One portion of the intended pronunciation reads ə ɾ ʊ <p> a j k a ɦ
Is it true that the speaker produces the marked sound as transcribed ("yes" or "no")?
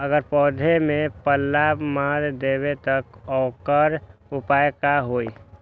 yes